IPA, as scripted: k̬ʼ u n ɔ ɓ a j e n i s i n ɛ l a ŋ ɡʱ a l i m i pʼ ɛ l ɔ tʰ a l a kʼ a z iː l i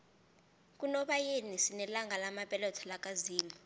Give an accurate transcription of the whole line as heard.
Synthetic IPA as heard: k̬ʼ u n ɔ ɓ a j e n i s i n ɛ l a ŋ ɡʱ a l a m a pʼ ɛ l ɔ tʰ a l a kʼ a z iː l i

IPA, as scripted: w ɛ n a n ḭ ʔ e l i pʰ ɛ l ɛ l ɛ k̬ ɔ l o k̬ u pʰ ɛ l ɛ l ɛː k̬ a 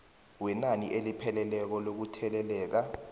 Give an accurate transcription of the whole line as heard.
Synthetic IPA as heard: w ɛ n a n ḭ ʔ e l i pʰ ɛ l ɛ l ɛ k̬ ɔ l o k̬ u tʰ ɛ l ɛ l ɛː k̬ a

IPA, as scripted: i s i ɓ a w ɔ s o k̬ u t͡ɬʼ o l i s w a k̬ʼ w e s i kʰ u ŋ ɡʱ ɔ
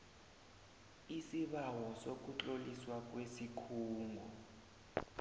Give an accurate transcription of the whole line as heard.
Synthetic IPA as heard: i s i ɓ a w ɔ s o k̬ u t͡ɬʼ o l i s w a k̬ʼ w e s i kʰ uː ŋ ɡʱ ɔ

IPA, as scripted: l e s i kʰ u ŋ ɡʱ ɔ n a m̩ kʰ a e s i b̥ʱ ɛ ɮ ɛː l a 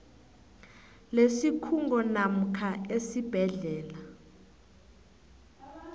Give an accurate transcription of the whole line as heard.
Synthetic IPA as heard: l e s i kʰ u ŋ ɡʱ ɔ n a m̩ kʰ a e s i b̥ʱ ɛ ɮ ɛː l a

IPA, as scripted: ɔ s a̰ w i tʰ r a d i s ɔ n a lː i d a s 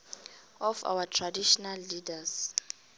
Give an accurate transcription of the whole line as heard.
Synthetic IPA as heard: ɔ f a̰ w a tʰ r a d i ʃ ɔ n a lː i d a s

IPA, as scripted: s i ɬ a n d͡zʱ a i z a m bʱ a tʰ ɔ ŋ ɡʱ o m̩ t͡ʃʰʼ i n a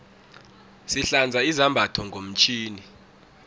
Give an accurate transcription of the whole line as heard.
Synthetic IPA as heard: s i ɬ a n d͡zʱ a i z a m bʱ a tʰ ɔ ŋ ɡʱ o m̩ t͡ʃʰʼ iː n i

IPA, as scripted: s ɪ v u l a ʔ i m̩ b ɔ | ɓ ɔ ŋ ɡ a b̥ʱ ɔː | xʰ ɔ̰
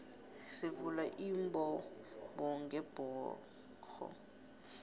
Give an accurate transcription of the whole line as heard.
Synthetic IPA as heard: s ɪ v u l a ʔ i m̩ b ɔ | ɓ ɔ ŋ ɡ ɛ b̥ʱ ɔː | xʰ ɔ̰

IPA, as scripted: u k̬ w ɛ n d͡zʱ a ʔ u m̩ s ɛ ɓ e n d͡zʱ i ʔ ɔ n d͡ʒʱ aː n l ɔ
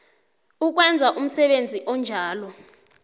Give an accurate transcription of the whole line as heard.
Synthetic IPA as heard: u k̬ w ɛ n d͡zʱ a ʔ u m̩ s ɛ ɓ e n d͡zʱ i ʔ ɔ n d͡ʒʱ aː l ɔ

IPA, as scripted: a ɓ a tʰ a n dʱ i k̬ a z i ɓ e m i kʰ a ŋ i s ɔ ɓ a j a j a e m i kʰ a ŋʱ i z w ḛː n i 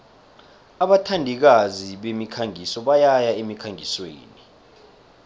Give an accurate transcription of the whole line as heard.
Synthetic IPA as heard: a ɓ a tʰ a n dʱ i k̬ a z i ɓ e m i kʰ a ŋ i s ɔ ɓ a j a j a e m i kʰ a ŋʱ i s w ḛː n i

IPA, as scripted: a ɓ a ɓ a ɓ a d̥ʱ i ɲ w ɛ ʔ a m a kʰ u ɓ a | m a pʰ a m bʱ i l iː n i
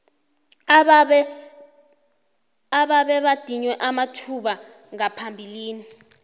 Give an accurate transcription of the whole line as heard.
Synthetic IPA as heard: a ɓ a ɓ ɛ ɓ a d̥ʱ i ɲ w ɛ ʔ a m a tʰ u ɓ a | ŋ a pʰ a m bʱ i l iː n i

